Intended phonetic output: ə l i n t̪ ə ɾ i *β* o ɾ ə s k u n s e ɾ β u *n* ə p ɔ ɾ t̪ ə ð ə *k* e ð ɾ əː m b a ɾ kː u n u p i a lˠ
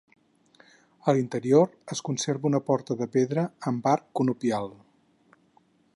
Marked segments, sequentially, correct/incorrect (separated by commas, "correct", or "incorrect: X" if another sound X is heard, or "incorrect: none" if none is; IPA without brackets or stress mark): incorrect: none, correct, incorrect: p